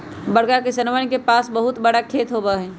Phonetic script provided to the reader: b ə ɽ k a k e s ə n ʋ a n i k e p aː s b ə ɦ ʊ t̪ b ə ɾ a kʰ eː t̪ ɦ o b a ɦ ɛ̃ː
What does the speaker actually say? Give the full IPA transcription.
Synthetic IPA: b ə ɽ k a k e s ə n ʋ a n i k e p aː s b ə ɦ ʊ t̪ b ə ɽ a kʰ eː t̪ ɦ o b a ɦ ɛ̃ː